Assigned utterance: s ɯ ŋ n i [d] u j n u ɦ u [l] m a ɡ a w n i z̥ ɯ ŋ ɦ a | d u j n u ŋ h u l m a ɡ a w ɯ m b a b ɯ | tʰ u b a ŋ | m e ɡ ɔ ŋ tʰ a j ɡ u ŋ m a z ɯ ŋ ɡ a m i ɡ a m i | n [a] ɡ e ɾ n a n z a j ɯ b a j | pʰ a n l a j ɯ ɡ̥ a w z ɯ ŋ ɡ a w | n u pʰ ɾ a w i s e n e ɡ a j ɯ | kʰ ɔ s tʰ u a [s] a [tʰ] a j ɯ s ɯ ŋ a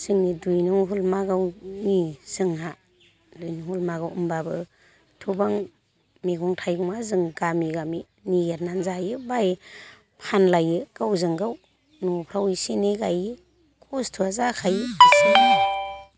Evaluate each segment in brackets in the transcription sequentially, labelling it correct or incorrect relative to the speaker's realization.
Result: correct, correct, incorrect: i, incorrect: z, incorrect: kʰ

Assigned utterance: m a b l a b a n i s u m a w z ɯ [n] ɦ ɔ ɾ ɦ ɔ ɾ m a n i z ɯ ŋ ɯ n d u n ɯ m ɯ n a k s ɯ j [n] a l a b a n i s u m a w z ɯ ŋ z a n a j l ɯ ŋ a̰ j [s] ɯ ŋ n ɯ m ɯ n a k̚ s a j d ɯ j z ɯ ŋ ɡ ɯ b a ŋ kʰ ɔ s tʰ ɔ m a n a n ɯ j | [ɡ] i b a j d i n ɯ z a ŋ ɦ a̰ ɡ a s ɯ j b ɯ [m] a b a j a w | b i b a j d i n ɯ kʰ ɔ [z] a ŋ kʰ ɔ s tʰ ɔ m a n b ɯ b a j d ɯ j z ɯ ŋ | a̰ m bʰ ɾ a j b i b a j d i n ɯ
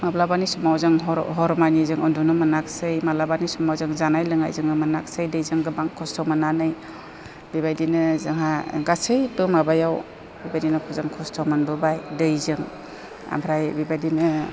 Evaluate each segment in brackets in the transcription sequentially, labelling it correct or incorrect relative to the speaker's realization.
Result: incorrect: ŋ, incorrect: m, incorrect: z, incorrect: b, correct, correct

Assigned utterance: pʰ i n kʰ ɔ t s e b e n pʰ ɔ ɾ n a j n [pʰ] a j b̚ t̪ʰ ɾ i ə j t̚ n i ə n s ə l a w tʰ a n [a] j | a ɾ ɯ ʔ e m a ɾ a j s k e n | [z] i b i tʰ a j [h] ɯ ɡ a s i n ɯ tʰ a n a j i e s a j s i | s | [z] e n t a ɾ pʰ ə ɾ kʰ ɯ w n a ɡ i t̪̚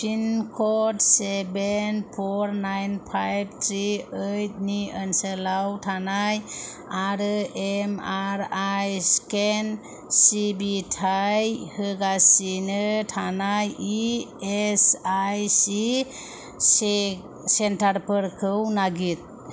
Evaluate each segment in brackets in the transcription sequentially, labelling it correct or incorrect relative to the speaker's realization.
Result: correct, correct, incorrect: s, correct, incorrect: s

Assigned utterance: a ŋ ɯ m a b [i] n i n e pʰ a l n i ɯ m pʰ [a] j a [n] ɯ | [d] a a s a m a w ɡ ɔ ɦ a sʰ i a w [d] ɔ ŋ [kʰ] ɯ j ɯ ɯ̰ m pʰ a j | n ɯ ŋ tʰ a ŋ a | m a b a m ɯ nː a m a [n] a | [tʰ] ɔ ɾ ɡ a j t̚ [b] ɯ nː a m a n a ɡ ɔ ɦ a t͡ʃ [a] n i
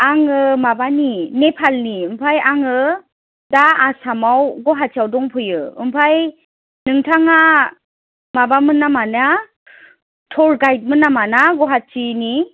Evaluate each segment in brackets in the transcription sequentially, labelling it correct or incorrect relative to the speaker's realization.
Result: incorrect: a, correct, incorrect: ŋ, correct, correct, incorrect: pʰ, correct, correct, incorrect: m, incorrect: i

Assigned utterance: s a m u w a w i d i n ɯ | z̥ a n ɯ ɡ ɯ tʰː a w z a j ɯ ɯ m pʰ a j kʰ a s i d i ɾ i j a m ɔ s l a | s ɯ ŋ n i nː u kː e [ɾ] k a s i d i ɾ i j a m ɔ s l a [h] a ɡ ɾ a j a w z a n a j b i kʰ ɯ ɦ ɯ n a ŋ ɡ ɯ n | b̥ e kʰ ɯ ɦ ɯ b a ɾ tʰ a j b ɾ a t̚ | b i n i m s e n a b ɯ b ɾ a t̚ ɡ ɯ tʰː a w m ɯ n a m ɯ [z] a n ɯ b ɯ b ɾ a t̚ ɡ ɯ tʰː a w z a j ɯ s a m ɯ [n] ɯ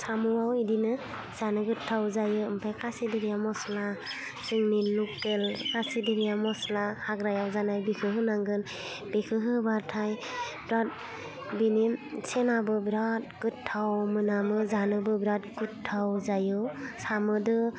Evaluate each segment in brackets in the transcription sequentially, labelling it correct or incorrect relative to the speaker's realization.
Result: incorrect: l, correct, correct, incorrect: d

